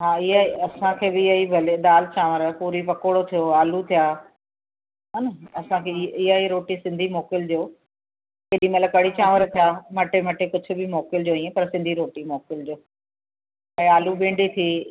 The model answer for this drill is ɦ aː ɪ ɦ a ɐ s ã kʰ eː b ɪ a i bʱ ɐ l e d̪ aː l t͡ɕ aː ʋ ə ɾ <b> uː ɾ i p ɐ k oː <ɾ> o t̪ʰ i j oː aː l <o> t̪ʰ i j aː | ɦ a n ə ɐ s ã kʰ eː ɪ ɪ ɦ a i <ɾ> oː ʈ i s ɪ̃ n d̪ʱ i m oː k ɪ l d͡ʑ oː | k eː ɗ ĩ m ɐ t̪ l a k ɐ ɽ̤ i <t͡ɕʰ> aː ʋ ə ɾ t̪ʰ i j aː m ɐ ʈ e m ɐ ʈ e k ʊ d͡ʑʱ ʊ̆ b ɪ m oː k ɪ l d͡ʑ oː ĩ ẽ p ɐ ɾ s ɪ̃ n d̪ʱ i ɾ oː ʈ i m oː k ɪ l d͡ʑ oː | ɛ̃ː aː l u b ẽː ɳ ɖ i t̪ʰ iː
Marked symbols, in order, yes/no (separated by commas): no, no, no, yes, no